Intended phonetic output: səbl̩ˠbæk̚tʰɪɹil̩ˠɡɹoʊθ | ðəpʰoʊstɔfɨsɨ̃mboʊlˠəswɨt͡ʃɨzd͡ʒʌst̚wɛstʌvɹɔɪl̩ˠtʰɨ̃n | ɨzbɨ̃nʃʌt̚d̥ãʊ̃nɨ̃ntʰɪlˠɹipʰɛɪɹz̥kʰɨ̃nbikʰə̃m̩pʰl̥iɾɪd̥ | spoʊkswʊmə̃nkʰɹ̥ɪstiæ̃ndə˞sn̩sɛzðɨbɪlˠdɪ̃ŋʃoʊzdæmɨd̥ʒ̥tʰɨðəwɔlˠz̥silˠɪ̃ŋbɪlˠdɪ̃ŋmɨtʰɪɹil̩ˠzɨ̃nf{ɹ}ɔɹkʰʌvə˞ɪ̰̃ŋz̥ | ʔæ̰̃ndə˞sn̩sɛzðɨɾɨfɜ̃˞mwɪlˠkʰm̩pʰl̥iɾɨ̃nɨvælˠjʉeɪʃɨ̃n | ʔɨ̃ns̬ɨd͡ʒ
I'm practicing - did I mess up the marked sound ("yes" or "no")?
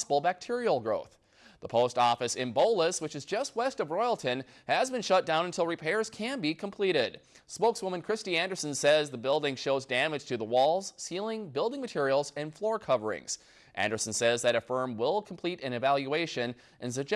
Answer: yes